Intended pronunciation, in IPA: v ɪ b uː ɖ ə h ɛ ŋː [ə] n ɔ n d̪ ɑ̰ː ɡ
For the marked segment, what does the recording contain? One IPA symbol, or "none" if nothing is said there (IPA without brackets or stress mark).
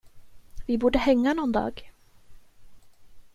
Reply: a